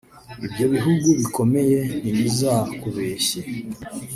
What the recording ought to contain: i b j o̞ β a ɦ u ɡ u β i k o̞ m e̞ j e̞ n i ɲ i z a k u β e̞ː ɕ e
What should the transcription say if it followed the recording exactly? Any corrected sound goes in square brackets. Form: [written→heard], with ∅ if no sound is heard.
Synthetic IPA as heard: i b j o̞ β [a→i] ɦ u ɡ u β i k o̞ m e̞ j e̞ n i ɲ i z a k u β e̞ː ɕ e